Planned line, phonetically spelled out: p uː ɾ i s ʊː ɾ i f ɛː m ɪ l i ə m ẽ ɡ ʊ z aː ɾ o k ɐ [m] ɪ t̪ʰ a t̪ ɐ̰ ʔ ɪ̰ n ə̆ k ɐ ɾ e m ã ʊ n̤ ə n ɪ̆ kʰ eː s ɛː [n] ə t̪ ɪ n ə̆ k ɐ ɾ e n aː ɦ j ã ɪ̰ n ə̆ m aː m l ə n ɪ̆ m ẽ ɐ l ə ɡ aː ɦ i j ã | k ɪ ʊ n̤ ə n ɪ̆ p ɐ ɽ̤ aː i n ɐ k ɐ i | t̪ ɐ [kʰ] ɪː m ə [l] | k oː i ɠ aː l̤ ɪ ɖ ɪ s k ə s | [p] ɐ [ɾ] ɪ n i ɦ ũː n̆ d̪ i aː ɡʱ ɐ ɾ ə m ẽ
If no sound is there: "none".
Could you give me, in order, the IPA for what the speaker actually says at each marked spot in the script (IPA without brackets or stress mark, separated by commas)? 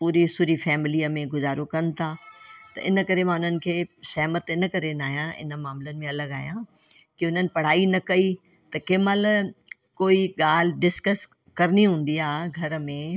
n, m, k, l, k, ɾ